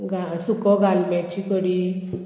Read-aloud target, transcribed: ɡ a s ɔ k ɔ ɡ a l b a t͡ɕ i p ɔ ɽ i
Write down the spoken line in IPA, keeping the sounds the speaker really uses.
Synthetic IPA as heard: ɡ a s u k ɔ ɡ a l m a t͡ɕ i k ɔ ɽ i

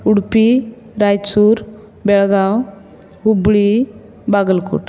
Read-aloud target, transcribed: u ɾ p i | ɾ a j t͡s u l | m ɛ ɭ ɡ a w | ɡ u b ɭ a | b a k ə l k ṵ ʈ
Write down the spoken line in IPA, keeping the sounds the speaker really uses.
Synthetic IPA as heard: u ɽ p i | ɾ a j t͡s u ɾ | b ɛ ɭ ɡ a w | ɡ u b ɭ i | b a ɡ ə l k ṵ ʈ

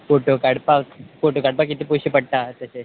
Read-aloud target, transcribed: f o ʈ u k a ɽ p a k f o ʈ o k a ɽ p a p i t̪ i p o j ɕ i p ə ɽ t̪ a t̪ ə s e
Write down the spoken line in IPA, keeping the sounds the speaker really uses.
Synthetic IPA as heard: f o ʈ o k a ɽ p a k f o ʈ o k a ɽ p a k i t̪ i p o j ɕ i p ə ɽ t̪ a t̪ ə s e

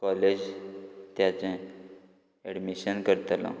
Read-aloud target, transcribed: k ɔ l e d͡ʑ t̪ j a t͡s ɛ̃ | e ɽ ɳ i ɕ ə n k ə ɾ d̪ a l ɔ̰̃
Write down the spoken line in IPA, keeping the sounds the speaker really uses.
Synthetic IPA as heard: k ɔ l e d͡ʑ t̪ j a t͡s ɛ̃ | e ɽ m i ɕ ə n k ə ɾ t̪ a l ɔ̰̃

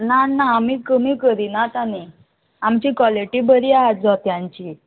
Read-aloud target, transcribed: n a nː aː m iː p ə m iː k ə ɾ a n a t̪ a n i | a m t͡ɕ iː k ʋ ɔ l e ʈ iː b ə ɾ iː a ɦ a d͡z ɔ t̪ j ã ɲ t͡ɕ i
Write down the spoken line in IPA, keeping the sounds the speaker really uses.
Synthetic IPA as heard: n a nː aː m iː k ə m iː k ə ɾ i n a t̪ a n i | a m t͡ɕ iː k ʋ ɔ l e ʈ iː b ə ɾ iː a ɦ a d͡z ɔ t̪ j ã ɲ t͡ɕ i

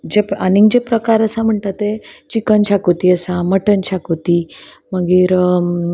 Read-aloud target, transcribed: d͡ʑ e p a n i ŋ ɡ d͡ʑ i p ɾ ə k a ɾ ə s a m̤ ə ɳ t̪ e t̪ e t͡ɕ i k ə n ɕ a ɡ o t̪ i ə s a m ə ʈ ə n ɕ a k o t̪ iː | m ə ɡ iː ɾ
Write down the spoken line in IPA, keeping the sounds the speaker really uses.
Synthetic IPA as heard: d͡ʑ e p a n i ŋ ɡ d͡ʑ e p ɾ ə k a ɾ ə s a m̤ ə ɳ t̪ a t̪ e t͡ɕ i k ə n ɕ a k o t̪ i ə s a m ə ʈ ə n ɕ a k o t̪ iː | m ə ɡ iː ɾ

